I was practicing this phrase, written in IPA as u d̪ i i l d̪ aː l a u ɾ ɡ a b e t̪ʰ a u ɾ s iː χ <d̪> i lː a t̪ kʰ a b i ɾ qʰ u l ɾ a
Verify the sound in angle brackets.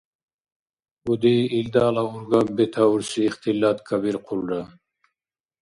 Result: incorrect: t̪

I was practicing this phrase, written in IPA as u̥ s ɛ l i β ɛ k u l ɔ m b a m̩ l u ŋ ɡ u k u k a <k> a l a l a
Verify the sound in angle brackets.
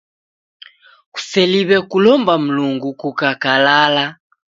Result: correct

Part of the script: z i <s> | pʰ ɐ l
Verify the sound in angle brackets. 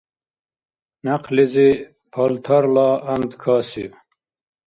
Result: incorrect: none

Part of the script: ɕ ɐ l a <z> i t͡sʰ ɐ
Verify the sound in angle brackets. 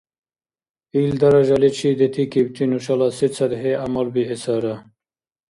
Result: incorrect: s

